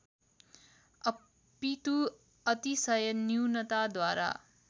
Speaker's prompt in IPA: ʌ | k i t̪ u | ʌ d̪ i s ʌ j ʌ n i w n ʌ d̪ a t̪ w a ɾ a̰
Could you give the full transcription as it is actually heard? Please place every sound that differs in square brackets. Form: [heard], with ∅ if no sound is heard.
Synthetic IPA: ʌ | [p] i t̪ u | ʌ [t̪] i s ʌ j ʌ n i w n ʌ [t̪] a [d̪] w a ɾ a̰